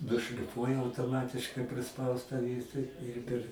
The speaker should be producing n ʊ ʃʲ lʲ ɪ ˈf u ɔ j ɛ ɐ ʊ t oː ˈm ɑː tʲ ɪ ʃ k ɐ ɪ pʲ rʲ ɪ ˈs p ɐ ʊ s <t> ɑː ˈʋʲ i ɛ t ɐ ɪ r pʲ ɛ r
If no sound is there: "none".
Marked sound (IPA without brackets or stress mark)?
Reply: t